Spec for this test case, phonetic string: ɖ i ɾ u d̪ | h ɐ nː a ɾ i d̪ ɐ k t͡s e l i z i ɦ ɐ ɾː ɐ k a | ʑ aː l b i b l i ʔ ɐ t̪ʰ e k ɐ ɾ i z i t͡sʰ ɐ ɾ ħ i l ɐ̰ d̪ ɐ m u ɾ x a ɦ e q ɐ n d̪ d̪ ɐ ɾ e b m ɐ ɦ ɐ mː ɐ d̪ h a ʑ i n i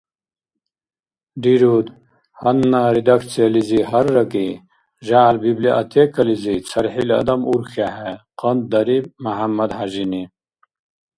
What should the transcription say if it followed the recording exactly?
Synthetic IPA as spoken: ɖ i ɾ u d̪ | h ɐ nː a ɾ i d̪ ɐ k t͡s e l i z i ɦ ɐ ɾː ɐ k i | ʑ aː l b i b l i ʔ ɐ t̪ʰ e k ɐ l i z i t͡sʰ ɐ ɾ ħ i l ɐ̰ d̪ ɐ m u ɾ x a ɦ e q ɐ n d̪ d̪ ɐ ɾ i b m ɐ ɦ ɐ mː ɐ d̪ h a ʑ i n i